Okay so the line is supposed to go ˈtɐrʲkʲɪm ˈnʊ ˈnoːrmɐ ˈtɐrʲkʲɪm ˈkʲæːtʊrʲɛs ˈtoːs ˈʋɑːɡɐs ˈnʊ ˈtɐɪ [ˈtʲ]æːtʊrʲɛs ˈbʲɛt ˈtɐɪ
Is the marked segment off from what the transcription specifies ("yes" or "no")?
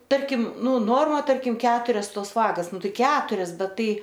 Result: yes